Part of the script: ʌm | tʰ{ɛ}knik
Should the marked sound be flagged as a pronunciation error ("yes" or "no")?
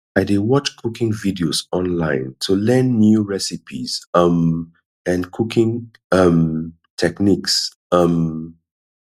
no